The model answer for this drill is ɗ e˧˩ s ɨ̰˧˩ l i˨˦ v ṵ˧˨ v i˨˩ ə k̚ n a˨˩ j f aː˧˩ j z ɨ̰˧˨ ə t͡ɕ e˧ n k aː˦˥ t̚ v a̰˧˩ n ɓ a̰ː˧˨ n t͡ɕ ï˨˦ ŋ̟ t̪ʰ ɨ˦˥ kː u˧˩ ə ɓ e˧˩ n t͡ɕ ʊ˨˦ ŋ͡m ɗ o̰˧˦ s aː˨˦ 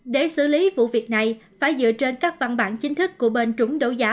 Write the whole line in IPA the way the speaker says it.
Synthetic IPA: ɗ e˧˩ s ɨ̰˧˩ l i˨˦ v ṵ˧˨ v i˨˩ ə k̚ n a˨˩ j f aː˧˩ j z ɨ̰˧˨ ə t͡ɕ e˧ n k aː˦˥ k̚ v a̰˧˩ n ɓ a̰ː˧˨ n t͡ɕ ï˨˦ ŋ̟ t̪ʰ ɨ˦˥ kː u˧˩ ə ɓ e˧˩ n t͡ɕ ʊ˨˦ ŋ͡m ɗ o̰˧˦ z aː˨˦